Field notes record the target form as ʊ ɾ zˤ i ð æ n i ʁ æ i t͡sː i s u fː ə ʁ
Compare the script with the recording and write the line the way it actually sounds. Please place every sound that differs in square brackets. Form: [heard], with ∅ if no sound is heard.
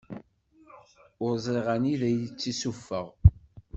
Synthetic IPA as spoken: ʊ ɾ zˤ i [ʁ] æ n i [ð] æ [j] t͡sː i s u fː ə ʁ